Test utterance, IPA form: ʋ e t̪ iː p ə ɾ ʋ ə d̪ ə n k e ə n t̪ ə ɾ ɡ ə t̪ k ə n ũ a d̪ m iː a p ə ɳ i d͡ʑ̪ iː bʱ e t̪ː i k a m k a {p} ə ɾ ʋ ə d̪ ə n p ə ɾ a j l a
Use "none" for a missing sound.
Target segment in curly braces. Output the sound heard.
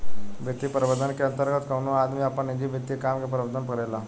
p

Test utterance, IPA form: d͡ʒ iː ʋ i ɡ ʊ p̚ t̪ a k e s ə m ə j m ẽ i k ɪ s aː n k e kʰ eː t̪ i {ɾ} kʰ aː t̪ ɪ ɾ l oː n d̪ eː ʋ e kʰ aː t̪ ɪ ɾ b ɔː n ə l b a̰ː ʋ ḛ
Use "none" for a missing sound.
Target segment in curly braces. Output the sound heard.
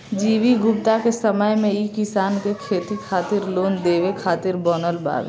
none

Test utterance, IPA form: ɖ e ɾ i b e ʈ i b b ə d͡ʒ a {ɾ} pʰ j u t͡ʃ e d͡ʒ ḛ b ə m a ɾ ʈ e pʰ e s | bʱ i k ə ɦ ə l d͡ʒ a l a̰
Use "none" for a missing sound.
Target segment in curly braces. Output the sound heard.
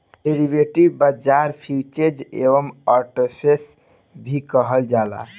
ɾ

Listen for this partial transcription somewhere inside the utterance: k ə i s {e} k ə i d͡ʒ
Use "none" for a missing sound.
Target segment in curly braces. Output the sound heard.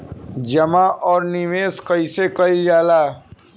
e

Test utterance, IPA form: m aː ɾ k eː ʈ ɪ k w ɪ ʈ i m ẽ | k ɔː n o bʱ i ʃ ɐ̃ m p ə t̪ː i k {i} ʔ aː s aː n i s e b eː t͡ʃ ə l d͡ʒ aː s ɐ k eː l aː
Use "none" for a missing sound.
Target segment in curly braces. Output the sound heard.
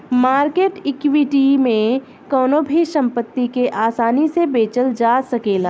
e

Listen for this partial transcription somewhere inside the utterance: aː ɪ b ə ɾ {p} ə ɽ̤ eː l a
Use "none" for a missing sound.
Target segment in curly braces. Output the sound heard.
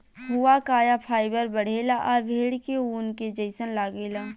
b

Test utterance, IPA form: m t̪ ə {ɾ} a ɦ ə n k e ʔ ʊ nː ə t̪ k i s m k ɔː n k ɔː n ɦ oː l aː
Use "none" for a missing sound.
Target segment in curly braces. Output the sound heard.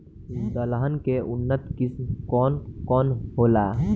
l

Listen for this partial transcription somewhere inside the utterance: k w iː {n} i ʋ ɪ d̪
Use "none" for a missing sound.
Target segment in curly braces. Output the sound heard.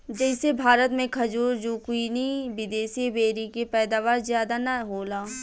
n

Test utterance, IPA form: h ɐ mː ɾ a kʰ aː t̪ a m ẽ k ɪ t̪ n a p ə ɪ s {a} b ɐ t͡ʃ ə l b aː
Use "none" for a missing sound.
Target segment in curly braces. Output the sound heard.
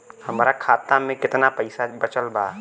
a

